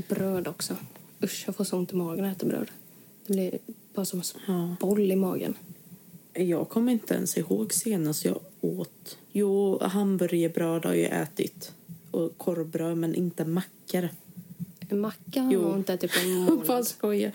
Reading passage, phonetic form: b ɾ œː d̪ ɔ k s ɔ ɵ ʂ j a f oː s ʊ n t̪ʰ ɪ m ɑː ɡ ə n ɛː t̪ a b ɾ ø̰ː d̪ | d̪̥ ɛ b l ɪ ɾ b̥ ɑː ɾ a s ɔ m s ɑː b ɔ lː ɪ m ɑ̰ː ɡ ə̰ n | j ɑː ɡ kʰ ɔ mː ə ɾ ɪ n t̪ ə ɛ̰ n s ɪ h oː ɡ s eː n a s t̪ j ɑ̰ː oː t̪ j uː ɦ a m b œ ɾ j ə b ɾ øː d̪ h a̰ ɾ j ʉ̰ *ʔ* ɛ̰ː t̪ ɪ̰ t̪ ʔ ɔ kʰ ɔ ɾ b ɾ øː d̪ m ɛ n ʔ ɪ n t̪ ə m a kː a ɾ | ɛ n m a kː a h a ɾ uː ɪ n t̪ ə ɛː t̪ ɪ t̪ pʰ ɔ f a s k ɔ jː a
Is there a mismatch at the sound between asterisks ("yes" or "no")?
no